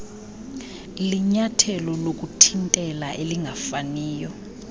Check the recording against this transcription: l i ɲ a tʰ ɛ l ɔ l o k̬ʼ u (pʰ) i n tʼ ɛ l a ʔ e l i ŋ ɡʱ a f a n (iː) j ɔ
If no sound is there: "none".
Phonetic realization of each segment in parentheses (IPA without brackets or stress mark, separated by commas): tʰ, iː